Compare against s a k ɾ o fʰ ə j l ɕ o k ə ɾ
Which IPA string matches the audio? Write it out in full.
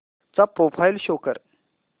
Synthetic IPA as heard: t͡s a p ɾ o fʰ a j l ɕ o k ə ɾ